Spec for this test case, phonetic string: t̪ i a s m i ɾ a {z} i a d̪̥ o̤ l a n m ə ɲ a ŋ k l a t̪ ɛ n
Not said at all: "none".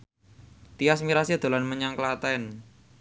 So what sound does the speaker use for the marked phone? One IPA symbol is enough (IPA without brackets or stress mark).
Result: s